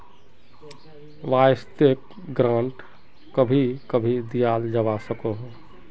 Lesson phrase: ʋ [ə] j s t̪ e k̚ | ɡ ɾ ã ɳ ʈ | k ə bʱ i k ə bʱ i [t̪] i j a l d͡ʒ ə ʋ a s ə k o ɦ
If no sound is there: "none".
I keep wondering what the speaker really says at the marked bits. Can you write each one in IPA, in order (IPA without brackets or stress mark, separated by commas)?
a, d̪